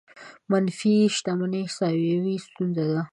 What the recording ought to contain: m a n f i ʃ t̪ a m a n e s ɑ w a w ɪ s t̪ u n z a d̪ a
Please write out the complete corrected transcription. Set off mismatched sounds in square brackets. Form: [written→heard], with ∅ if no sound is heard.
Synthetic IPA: m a n f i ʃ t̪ a m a n e s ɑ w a w [ɪ→i] s t̪ u n z a d̪ a

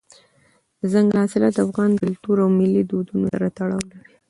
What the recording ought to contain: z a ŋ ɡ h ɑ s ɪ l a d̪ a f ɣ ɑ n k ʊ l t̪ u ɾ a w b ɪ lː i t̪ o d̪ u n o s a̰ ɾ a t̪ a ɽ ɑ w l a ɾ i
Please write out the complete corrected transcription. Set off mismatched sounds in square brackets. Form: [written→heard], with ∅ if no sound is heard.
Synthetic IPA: z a ŋ ɡ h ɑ s ɪ l a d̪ a f ɣ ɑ n k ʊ l t̪ u ɾ a w [b→m] ɪ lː i [t̪→d̪] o d̪ u n o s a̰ ɾ a t̪ a ɽ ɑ w l a ɾ i

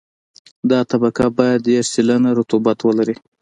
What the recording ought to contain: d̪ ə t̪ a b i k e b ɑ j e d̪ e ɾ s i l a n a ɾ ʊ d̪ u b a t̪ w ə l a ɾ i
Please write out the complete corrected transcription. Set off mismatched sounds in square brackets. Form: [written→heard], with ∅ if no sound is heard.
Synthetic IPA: d̪ [ə→ɑ] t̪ a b [i→a] k [e→a] b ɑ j [e→a] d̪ e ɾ s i l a n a ɾ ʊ [d̪→t̪] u b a t̪ w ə l a ɾ i

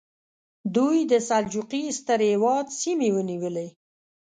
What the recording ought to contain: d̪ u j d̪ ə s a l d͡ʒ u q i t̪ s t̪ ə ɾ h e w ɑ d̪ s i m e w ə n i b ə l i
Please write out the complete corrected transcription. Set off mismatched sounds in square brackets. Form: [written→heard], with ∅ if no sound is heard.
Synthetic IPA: d̪ u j d̪ ə s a l d͡ʒ u q i [t̪→∅] s t̪ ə ɾ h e w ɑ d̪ s i m e w ə n i [b→w] ə l [i→e]

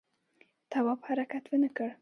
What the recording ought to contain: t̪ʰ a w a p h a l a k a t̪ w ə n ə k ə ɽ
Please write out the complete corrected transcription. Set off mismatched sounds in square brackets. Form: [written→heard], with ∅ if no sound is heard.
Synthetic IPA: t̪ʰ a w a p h a [l→ɾ] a k a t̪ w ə n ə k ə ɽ

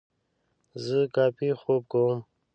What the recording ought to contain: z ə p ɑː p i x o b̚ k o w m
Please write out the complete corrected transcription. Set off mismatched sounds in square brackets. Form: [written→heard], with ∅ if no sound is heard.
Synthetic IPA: z ə [p→k] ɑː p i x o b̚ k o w m

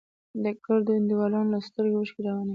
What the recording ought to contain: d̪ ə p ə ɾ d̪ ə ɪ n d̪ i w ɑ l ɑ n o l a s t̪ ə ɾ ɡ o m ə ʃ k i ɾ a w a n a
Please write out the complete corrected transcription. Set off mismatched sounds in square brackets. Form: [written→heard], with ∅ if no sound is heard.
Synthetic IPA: d̪ ə [p→k] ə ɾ d̪ ə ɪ n d̪ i w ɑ l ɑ n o l a s t̪ ə ɾ ɡ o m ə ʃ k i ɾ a w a n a

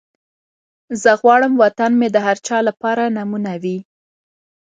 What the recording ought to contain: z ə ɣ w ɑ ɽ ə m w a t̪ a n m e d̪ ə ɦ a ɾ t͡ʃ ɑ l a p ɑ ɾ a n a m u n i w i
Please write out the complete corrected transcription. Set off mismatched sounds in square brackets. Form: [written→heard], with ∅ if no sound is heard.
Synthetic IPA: z ə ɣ w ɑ ɽ ə m w a t̪ a n m e d̪ ə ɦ a ɾ t͡ʃ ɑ l a p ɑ ɾ a n a m u n [i→a] w i

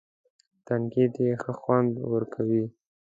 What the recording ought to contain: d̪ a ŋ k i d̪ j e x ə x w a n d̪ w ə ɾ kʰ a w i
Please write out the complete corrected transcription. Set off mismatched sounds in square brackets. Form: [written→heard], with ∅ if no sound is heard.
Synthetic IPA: [d̪→t̪] a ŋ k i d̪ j e x ə x w a n d̪ w ə ɾ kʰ a w i

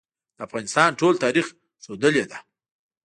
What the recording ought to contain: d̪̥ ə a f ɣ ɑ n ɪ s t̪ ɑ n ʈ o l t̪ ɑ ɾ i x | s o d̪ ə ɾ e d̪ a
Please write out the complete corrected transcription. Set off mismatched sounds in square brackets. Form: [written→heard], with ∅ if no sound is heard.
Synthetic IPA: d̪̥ ə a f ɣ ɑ n ɪ s t̪ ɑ n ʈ o l t̪ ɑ ɾ i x | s o d̪ ə [ɾ→l] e d̪ a

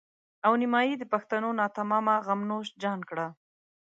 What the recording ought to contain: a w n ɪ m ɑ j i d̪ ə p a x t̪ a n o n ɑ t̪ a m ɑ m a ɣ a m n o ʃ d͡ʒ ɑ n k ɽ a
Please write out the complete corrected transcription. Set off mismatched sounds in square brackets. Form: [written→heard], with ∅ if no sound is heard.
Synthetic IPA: a w n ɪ m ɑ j i d̪ ə p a x t̪ a n o n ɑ t̪ a m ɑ m a ɣ a m n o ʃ d͡ʒ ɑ n k ɽ a

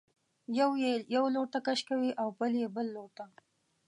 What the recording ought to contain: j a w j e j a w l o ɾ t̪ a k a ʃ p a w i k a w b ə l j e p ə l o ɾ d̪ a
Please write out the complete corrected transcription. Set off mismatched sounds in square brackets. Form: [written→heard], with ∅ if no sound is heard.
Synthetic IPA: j a w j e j a w l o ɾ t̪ a k a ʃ [p→k] a w i [k→ʔ] a w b ə l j e [p→b] ə [l→lː] o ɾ [d̪→t̪] a

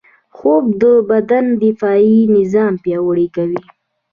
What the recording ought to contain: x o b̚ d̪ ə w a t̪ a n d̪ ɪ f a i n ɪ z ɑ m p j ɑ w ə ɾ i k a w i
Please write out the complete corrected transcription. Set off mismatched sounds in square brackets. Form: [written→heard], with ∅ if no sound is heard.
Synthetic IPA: x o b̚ d̪ ə [w→b] a [t̪→d̪] a n d̪ ɪ f [a→ɑ] i n ɪ z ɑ m p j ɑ w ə [ɾ→ɽ] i k a w i

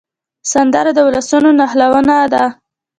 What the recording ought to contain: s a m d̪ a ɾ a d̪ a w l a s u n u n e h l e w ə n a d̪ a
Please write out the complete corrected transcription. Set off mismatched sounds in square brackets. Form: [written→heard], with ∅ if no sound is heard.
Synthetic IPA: s a [m→n] d̪ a ɾ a d̪ [a→ə] w l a s u n [u→o] n [e→a] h l [e→a] w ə n a d̪ a

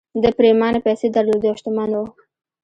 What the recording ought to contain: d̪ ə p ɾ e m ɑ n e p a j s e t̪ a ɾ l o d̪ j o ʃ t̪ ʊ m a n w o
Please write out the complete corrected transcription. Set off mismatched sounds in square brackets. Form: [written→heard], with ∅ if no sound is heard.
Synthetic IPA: d̪ ə p ɾ e m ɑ n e p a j s e [t̪→d̪] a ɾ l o d̪ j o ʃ t̪ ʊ m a n w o

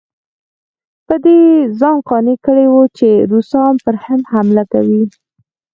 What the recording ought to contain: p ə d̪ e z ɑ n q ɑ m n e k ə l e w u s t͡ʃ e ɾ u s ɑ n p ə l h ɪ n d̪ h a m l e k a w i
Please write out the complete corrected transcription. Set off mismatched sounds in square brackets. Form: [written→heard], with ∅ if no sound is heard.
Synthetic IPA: p ə d̪ e z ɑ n q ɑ [m→∅] n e k ə [l→ɽ] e w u [s→∅] t͡ʃ e ɾ u s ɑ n p ə [l→ɾ] h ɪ n d̪ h a m l [e→a] k a w i

